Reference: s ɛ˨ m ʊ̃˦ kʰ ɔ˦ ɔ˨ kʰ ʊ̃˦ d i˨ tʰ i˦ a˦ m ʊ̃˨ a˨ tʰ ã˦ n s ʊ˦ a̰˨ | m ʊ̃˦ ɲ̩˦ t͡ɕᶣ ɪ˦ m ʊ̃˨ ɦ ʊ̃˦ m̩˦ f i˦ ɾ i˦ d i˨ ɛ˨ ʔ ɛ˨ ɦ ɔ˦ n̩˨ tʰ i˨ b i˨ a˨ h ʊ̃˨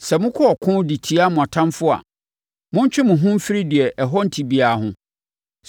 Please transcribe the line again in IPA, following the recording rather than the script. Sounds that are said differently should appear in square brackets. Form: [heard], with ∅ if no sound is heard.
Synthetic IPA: s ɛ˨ m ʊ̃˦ kʰ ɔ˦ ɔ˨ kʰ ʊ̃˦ d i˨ tʰ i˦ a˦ m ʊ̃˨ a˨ tʰ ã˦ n [f] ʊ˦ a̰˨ | m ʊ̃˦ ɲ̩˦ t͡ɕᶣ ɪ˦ m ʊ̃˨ ɦ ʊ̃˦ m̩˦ f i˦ ɾ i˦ d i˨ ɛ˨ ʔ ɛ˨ ɦ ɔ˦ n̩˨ tʰ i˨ b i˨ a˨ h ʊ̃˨